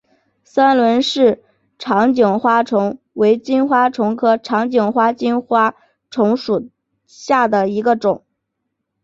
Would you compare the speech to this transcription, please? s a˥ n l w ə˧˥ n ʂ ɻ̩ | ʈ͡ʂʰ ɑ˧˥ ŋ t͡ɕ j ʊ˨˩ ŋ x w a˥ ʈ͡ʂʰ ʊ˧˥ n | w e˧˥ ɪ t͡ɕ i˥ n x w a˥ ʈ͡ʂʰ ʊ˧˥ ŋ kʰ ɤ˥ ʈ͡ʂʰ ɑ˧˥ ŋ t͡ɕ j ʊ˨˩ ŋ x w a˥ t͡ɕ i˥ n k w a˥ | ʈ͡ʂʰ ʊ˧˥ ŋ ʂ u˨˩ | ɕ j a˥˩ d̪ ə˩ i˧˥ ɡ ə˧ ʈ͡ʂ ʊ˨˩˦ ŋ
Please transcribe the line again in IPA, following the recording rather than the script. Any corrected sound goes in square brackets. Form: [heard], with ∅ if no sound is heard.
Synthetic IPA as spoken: s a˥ n l w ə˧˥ n ʂ ɻ̩ | ʈ͡ʂʰ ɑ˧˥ ŋ t͡ɕ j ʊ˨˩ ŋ x w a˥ ʈ͡ʂʰ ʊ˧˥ [ŋ] | w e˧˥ ɪ t͡ɕ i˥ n x w a˥ ʈ͡ʂʰ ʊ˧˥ ŋ kʰ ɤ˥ ʈ͡ʂʰ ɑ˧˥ ŋ t͡ɕ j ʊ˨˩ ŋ x w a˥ t͡ɕ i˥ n [x] w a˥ | ʈ͡ʂʰ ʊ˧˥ ŋ ʂ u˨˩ | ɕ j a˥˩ d̪ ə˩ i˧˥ ɡ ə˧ ʈ͡ʂ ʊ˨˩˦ ŋ

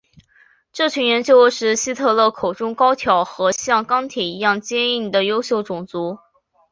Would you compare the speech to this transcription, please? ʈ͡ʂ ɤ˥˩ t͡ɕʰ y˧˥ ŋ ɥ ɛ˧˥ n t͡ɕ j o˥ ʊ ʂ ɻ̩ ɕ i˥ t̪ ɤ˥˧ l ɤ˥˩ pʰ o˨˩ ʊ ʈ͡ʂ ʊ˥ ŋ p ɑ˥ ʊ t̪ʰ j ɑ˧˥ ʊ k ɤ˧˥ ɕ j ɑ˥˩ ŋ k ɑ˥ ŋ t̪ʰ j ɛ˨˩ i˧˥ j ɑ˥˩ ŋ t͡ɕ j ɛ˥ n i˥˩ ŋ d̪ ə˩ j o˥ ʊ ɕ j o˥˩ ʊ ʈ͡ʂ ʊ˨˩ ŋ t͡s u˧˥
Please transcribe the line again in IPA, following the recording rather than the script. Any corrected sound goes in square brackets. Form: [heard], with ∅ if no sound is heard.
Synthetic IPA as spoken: ʈ͡ʂ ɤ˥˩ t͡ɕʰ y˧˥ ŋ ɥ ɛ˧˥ n t͡ɕ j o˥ ʊ ʂ ɻ̩ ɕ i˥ [t̪ʰ] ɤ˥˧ l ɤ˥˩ [kʰ] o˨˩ ʊ ʈ͡ʂ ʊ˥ ŋ [k] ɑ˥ ʊ t̪ʰ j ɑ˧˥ ʊ [x] ɤ˧˥ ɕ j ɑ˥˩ ŋ k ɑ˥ ŋ t̪ʰ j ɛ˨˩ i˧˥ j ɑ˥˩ ŋ t͡ɕ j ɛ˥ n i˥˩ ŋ d̪ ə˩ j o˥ ʊ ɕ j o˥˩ ʊ ʈ͡ʂ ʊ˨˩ ŋ t͡s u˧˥

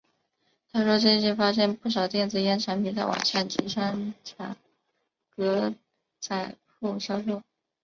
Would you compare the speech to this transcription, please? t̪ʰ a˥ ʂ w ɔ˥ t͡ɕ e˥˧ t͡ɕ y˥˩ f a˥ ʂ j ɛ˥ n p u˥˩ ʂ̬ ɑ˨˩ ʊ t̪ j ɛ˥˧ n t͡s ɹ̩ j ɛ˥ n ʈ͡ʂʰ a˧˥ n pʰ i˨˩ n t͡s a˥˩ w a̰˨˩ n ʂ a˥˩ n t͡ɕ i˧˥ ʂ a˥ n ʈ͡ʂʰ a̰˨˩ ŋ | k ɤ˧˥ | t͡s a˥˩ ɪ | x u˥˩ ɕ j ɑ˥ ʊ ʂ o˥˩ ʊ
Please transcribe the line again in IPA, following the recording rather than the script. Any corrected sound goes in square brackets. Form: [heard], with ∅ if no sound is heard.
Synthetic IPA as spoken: t̪ʰ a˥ ʂ w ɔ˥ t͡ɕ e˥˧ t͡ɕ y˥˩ f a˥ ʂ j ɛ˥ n p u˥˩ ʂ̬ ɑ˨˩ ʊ t̪ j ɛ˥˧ n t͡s ɹ̩ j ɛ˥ n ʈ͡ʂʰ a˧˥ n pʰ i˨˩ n t͡s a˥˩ w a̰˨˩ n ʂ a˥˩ n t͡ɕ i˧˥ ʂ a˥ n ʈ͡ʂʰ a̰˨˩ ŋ | k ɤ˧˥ | t͡s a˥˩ ɪ | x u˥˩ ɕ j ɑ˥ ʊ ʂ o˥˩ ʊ

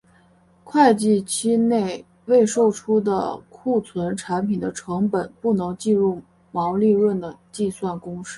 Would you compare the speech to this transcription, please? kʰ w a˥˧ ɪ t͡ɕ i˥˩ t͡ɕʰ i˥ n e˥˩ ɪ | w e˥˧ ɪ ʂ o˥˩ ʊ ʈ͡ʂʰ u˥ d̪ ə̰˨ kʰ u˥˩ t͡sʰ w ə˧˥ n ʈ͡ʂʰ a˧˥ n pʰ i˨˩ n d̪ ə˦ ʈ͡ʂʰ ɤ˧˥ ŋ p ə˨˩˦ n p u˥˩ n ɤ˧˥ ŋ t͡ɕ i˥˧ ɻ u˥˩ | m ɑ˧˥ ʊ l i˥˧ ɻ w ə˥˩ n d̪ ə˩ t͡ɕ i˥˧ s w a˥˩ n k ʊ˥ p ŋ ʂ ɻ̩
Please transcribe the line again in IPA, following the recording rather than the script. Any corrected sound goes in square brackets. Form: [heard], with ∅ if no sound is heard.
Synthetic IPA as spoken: kʰ w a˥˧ ɪ t͡ɕ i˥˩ t͡ɕʰ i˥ n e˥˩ ɪ | w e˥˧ ɪ ʂ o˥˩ ʊ ʈ͡ʂʰ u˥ d̪ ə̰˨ kʰ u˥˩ t͡sʰ w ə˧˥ n ʈ͡ʂʰ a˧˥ n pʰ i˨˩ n d̪ ə˦ ʈ͡ʂʰ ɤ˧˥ ŋ p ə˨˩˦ n p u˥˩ n ɤ˧˥ ŋ t͡ɕ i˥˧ ɻ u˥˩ | m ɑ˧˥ ʊ l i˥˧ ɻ w ə˥˩ n d̪ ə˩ t͡ɕ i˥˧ s w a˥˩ n k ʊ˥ [∅] ŋ ʂ ɻ̩

